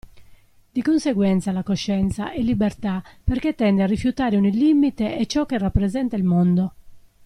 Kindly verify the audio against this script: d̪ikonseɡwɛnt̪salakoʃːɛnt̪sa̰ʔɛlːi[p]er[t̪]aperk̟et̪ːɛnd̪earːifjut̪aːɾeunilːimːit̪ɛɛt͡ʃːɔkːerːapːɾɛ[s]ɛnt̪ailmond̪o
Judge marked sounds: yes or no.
no, yes, no

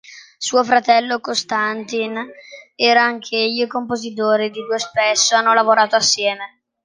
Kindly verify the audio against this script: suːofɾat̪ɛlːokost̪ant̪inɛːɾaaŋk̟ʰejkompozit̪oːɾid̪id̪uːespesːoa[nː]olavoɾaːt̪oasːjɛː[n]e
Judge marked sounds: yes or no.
yes, no

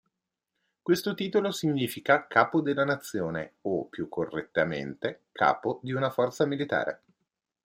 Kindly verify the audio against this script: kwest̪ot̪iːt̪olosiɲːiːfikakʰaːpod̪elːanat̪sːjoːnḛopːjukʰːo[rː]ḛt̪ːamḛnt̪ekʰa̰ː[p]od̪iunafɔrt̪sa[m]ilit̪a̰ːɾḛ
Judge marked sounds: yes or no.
yes, yes, yes

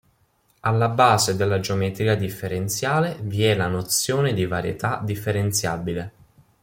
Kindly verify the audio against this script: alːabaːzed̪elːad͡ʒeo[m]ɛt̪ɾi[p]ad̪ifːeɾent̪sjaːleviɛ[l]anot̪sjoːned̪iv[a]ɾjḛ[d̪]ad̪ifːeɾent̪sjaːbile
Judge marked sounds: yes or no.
yes, no, yes, yes, no

